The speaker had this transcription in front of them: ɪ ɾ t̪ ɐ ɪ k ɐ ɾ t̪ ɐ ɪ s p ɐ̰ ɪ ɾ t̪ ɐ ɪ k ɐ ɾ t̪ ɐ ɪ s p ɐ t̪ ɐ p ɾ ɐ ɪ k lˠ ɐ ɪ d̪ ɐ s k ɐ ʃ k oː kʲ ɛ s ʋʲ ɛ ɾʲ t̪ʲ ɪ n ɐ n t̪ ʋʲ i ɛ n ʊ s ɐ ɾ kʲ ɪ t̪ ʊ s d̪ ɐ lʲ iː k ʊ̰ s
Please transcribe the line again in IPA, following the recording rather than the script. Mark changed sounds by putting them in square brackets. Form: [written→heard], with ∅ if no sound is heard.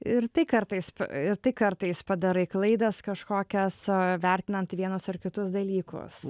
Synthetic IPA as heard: ɪ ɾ t̪ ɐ ɪ k ɐ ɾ t̪ ɐ ɪ s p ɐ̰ ɪ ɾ t̪ ɐ ɪ k ɐ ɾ t̪ ɐ ɪ s p ɐ [t̪→d̪] ɐ [p→∅] ɾ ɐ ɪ k lˠ ɐ ɪ d̪ ɐ s k ɐ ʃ k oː kʲ ɛ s ʋʲ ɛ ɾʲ t̪ʲ ɪ n ɐ n t̪ ʋʲ i ɛ n ʊ s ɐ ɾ kʲ ɪ t̪ ʊ s d̪ ɐ lʲ iː k ʊ̰ s

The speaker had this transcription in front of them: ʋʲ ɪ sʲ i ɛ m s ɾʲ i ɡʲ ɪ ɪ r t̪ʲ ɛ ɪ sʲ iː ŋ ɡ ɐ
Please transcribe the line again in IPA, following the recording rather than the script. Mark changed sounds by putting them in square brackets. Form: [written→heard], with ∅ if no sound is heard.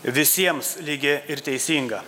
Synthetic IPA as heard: ʋʲ ɪ sʲ i ɛ m s [ɾʲ→lʲ] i ɡʲ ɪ ɪ [r→ɾ] t̪ʲ ɛ ɪ sʲ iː ŋ ɡ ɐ

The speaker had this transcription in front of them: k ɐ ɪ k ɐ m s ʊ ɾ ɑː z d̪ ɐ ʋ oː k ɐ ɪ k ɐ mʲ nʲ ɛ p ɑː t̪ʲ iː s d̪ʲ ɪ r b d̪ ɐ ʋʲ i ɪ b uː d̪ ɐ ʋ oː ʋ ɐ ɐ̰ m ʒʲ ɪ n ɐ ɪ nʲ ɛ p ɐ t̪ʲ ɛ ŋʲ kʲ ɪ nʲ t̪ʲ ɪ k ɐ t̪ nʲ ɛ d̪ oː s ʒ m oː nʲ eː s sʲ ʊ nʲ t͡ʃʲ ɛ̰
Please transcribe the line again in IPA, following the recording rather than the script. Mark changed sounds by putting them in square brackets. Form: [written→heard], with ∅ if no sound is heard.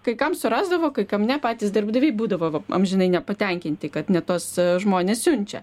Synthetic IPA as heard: k ɐ ɪ k ɐ m s ʊ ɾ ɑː z d̪ ɐ ʋ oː k ɐ ɪ k ɐ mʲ nʲ ɛ p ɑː t̪ʲ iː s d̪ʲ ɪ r b d̪ ɐ ʋʲ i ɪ b uː d̪ ɐ ʋ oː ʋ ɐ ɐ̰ m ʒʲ ɪ n ɐ ɪ nʲ ɛ p ɐ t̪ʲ ɛ ŋʲ kʲ ɪ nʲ t̪ʲ ɪ k ɐ t̪ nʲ ɛ [d̪→t̪] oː s ʒ m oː nʲ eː s sʲ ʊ nʲ t͡ʃʲ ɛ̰

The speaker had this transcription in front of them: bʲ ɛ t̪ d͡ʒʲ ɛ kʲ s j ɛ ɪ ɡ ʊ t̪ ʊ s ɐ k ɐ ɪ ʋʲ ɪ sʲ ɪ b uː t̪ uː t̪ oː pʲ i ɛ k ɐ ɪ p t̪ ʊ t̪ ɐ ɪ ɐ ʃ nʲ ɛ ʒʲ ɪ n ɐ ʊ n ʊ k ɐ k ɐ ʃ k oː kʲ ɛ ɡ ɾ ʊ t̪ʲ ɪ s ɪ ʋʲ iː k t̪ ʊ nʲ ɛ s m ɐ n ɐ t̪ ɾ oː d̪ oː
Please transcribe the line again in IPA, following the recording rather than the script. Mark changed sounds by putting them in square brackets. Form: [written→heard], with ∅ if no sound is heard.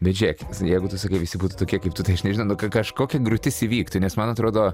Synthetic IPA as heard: bʲ ɛ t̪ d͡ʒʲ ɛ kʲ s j ɛ ɪ ɡ ʊ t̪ ʊ s ɐ k ɐ ɪ ʋʲ ɪ sʲ ɪ b uː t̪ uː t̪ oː [pʲ→kʲ] i ɛ k ɐ ɪ p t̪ ʊ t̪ ɐ ɪ ɐ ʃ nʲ ɛ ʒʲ ɪ n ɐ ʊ n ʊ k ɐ k ɐ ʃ k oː kʲ ɛ ɡ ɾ ʊ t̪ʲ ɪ s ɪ ʋʲ iː k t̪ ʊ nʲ ɛ s m ɐ n ɐ t̪ ɾ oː d̪ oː

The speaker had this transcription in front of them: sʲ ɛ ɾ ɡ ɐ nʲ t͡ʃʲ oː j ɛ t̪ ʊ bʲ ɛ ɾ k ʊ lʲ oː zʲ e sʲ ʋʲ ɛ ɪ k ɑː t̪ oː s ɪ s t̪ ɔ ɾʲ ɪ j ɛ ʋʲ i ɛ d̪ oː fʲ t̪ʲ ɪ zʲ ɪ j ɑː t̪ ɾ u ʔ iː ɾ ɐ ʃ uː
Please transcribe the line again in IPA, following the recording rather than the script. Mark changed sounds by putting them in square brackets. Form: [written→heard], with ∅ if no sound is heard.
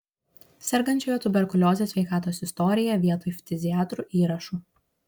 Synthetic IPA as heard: sʲ ɛ ɾ ɡ ɐ nʲ t͡ʃʲ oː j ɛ t̪ ʊ bʲ ɛ ɾ k ʊ lʲ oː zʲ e sʲ ʋʲ ɛ ɪ k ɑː t̪ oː s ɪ s t̪ ɔ ɾʲ ɪ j ɛ ʋʲ i ɛ [d̪→t̪] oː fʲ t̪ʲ ɪ zʲ ɪ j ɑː t̪ ɾ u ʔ iː ɾ ɐ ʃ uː

